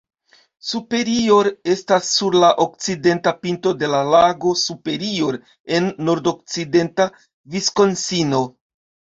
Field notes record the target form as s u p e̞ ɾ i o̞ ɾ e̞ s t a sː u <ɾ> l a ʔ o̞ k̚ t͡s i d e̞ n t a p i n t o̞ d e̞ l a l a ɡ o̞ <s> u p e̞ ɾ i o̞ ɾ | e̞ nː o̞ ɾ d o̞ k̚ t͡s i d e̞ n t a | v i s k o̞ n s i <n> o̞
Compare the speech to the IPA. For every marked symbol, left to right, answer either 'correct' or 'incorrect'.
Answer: correct, correct, correct

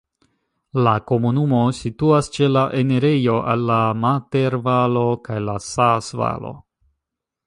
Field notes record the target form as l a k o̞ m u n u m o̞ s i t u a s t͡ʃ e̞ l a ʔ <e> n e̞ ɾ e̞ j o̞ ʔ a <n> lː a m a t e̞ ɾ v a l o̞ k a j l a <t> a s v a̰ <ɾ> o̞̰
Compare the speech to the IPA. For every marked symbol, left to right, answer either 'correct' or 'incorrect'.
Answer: correct, incorrect, incorrect, incorrect

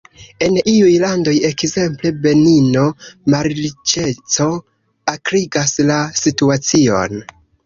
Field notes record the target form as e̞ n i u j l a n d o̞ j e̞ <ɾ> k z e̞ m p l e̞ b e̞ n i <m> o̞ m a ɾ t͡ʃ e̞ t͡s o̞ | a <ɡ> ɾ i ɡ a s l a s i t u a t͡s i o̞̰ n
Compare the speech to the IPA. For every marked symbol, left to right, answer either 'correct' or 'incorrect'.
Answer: incorrect, incorrect, incorrect

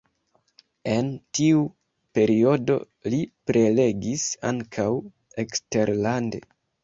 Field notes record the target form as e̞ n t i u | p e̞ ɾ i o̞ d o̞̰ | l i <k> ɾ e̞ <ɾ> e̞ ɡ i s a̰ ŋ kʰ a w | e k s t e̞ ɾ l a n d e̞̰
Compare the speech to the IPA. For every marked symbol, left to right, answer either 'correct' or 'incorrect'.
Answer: incorrect, incorrect

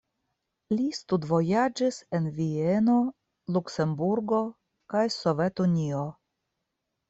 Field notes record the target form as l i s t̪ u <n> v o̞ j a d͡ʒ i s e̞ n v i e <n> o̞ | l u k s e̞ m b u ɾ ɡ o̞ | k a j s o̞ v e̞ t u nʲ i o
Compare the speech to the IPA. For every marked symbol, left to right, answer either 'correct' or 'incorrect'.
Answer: incorrect, correct

